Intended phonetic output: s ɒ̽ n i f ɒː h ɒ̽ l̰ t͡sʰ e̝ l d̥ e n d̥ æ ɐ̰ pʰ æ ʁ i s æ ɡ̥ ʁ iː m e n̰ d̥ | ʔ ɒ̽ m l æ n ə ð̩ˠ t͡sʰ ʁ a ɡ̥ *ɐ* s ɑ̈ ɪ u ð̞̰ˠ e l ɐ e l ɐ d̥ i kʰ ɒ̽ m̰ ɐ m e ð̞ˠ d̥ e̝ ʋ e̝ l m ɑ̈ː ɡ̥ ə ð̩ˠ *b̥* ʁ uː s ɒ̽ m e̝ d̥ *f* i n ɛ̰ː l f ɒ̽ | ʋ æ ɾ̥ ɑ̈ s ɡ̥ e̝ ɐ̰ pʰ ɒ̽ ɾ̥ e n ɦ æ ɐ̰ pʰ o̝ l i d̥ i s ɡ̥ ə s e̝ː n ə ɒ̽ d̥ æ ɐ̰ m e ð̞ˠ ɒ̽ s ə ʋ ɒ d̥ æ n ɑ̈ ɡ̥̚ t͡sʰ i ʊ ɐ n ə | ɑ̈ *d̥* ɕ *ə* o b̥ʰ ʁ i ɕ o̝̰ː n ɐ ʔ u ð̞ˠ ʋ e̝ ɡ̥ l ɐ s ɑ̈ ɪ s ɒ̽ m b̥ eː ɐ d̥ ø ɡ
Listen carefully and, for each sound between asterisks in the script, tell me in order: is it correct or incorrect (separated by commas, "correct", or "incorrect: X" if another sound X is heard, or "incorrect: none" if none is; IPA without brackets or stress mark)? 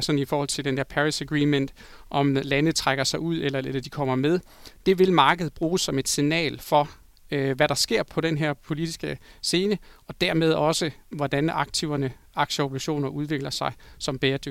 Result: correct, correct, incorrect: s, incorrect: ɡ̥, correct